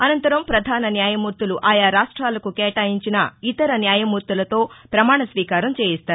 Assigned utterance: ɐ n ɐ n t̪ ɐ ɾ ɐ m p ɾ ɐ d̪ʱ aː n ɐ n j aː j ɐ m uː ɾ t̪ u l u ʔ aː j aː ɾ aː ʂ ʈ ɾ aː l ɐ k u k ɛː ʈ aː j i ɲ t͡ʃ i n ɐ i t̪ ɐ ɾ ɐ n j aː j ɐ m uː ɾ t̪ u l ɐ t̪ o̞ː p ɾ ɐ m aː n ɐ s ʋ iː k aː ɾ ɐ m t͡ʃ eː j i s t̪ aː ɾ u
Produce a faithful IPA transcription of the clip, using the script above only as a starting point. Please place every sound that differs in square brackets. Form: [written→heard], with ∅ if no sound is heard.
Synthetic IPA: ɐ n ɐ n t̪ ɐ ɾ ɐ m p ɾ ɐ d̪ʱ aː n ɐ n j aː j ɐ m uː ɾ t̪ u l u ʔ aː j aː ɾ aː ʂ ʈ ɾ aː l ɐ k u k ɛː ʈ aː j i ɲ t͡ʃ i n ɐ i t̪ ɐ ɾ ɐ n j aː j ɐ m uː ɾ t̪ u l ɐ t̪ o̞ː p ɾ ɐ m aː [n→ɳ] ɐ s ʋ iː k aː ɾ ɐ m t͡ʃ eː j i s t̪ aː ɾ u